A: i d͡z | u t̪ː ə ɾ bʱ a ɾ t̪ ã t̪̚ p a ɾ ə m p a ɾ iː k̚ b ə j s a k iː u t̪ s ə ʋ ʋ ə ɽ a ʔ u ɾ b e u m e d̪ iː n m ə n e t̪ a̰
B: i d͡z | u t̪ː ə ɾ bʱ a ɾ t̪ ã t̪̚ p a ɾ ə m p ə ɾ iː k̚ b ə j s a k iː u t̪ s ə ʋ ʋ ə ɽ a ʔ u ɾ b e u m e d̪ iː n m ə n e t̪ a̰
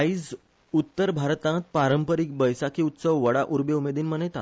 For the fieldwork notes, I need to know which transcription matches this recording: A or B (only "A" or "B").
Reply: B